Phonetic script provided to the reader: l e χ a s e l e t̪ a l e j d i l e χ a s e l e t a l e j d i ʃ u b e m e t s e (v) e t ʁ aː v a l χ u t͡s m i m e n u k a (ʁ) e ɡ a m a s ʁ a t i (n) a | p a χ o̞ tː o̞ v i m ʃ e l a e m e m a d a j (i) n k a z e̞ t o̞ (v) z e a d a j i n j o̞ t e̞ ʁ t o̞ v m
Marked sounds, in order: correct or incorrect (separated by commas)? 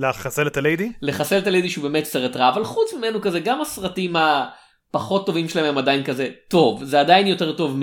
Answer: incorrect, incorrect, incorrect, correct, correct